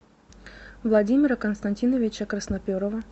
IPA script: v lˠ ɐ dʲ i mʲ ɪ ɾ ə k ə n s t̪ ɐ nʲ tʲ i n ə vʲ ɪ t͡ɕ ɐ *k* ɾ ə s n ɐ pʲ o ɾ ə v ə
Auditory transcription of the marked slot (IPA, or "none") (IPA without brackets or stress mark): k